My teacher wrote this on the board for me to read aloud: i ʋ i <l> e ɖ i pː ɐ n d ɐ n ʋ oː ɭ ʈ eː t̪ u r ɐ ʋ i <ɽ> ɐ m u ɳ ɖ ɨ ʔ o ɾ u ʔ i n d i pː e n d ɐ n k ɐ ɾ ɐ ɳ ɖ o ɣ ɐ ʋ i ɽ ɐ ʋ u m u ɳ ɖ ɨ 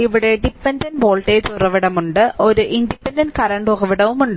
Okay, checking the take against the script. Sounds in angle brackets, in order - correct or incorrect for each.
incorrect: ɽ, correct

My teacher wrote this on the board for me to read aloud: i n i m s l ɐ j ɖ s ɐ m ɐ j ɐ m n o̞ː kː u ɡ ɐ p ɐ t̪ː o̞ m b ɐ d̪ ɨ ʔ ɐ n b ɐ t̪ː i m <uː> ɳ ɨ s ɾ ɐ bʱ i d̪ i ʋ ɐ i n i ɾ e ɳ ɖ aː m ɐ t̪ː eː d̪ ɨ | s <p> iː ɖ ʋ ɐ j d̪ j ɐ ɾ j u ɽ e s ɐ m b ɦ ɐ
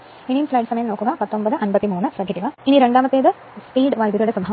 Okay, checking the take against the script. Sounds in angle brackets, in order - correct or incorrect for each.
correct, correct

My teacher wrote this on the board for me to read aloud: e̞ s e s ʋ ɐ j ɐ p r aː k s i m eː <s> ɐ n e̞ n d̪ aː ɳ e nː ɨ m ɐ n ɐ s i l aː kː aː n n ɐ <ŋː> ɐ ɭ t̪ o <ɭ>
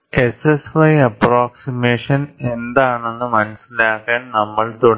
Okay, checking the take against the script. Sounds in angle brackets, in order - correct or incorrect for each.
incorrect: ʂ, incorrect: mː, incorrect: ɽ

